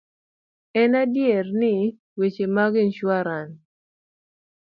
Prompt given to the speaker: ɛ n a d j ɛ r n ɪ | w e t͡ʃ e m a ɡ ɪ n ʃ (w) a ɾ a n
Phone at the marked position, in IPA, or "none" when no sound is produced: w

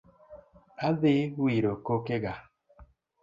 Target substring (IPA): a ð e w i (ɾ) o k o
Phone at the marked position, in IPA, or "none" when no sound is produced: ɾ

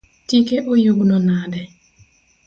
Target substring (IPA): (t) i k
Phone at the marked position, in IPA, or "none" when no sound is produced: t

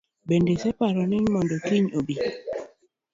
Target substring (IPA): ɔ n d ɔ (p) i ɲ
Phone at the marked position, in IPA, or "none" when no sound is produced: k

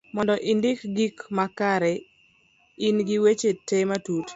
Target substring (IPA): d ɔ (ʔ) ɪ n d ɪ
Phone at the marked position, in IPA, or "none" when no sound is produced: ʔ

